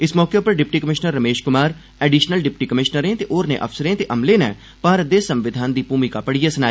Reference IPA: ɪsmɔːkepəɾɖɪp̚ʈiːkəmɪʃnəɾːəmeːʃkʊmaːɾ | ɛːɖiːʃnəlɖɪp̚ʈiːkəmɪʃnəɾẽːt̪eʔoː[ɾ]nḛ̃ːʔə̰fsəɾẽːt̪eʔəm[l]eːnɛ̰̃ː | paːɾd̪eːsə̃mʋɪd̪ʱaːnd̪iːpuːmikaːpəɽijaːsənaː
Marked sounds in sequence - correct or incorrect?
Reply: correct, correct

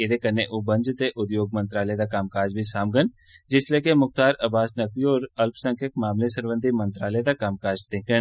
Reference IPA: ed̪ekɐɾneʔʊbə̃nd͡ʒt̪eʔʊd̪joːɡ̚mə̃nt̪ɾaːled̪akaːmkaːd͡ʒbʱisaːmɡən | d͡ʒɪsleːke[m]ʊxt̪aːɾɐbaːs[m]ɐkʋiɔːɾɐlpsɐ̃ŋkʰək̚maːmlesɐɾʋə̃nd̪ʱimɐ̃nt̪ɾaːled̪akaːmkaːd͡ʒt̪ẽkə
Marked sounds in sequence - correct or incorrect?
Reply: correct, incorrect: n

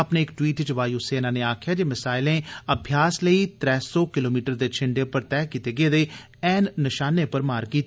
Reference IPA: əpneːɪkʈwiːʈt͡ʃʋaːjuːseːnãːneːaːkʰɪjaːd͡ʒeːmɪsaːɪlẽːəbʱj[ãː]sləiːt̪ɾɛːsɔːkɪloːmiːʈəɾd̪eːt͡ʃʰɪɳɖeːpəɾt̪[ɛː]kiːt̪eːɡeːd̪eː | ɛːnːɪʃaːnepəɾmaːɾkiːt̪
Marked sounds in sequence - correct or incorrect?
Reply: incorrect: aː, correct

